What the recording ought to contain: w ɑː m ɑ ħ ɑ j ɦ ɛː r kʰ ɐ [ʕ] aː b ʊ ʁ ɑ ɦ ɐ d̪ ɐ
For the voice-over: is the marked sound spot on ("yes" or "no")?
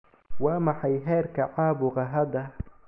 yes